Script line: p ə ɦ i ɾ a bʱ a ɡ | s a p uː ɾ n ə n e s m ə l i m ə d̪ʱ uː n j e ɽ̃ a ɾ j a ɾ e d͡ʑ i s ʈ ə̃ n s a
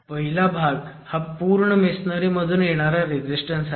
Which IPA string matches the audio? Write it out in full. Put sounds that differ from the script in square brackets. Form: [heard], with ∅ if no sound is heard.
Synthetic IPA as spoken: p ə ɦ i [l] a bʱ a ɡ | [h] a p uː ɾ [ɳ] ə [m] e s [n] ə [ɾ] i m ə d̪ʱ uː n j e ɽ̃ a ɾ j a ɾ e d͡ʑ i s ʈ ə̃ n s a

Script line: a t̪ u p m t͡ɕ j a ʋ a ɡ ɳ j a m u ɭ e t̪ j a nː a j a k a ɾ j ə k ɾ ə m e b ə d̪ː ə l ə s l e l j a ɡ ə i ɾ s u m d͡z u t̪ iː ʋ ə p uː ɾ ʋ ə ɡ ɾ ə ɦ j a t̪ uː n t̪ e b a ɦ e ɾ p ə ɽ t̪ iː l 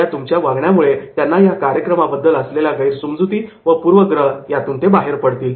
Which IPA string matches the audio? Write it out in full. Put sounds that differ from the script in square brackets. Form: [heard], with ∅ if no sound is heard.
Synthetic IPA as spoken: a t̪ u [∅] m t͡ɕ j a ʋ a ɡ ɳ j a m u ɭ e t̪ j a nː a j a k a ɾ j ə k ɾ ə m [a] b ə d̪ː ə l ə s l e l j a ɡ ə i ɾ s u m d͡z u t̪ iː ʋ ə p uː ɾ ʋ ə ɡ ɾ ə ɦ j a t̪ uː n t̪ e b a ɦ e ɾ p ə ɽ t̪ iː l

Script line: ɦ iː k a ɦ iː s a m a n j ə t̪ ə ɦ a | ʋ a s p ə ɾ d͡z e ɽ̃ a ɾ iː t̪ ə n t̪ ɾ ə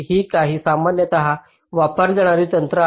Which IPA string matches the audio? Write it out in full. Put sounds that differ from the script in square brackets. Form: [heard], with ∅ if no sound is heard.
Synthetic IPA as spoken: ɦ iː k a ɦ iː s a m a n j ə t̪ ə ɦ a | ʋ a [∅] p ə ɾ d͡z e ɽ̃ a ɾ iː t̪ ə n t̪ ɾ ə

